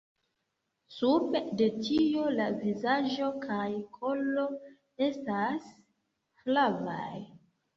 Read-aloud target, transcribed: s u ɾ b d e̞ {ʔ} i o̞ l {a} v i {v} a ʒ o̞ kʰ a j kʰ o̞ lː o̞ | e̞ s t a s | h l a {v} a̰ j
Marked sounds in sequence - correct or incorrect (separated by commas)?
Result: incorrect, correct, incorrect, correct